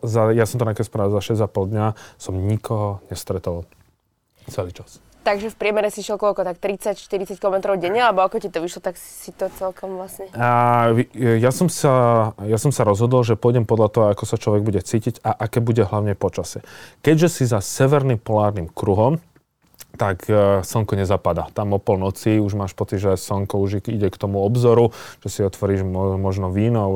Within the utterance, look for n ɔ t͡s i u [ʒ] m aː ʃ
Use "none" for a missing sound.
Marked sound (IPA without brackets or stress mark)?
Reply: ʒ